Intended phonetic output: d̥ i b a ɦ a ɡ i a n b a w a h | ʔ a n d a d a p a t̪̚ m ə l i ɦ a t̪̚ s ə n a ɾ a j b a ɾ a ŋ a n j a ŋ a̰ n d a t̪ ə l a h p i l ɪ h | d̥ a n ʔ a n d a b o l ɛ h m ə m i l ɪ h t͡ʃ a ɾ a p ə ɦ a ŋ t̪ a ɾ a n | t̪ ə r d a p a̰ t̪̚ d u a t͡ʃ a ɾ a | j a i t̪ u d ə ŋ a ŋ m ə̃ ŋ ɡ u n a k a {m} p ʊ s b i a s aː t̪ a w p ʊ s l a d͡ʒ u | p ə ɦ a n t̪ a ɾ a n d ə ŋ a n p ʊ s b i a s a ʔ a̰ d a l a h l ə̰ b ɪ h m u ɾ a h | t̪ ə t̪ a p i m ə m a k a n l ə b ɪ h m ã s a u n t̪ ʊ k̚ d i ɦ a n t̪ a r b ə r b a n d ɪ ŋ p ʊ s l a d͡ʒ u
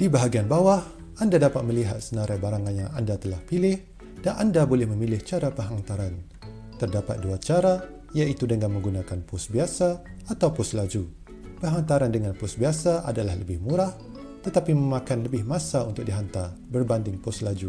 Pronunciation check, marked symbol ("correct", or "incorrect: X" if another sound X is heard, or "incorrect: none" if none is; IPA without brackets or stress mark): incorrect: n